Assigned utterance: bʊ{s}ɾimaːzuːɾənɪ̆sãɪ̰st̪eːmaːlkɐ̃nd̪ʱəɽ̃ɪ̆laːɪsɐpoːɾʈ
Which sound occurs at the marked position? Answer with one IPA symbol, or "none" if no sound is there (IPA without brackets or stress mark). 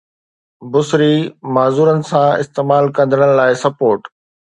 s